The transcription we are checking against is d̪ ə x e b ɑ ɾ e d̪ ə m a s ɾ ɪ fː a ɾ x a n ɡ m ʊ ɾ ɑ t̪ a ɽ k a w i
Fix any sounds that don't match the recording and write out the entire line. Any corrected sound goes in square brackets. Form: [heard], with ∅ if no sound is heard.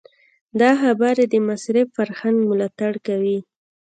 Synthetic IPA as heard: d̪ [ɑ] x [a] b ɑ ɾ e d̪ ə m a s ɾ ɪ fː a ɾ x a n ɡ m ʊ [l] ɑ t̪ a ɽ k a w i